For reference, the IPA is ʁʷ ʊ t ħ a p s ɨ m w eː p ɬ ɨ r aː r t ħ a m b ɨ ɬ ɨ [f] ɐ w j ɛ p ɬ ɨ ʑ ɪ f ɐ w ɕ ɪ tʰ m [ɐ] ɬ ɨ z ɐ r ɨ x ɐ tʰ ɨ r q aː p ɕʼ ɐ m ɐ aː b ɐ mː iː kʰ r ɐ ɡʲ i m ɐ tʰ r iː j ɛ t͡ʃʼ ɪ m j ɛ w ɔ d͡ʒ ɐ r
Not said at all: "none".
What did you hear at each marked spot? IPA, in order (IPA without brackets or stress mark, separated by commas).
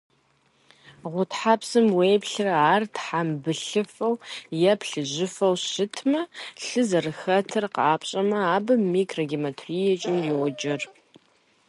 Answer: f, ɐ